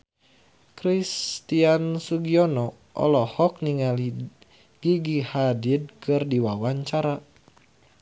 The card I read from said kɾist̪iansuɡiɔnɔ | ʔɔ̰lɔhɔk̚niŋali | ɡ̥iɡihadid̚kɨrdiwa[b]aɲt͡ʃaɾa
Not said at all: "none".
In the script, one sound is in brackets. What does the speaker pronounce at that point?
w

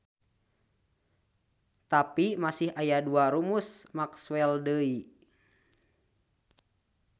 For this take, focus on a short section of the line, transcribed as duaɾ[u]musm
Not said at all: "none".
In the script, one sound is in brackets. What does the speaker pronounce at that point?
u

